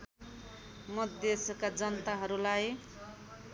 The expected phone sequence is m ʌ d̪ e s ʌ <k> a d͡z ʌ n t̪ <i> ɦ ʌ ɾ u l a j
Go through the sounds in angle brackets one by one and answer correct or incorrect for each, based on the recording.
correct, incorrect

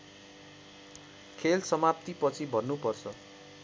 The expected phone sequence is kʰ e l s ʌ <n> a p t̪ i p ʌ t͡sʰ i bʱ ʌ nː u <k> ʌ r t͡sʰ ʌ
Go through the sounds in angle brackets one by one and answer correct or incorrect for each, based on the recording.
incorrect, incorrect

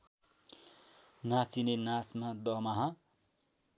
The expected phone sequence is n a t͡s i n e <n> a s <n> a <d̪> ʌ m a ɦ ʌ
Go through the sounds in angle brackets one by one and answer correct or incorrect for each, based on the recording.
correct, incorrect, correct

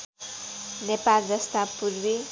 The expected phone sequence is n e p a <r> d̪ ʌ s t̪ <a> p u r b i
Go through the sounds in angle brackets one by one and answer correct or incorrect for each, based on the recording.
incorrect, correct

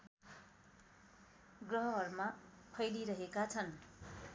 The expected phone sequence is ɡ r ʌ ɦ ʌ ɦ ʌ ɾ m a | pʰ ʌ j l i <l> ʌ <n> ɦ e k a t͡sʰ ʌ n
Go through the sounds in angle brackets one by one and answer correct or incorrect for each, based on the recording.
incorrect, incorrect

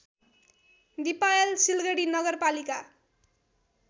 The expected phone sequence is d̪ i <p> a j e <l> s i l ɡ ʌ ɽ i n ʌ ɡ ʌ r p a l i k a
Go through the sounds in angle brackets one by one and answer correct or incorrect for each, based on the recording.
correct, correct

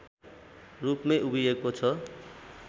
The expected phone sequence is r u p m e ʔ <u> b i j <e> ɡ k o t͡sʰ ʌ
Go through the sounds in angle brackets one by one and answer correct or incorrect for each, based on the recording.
correct, correct

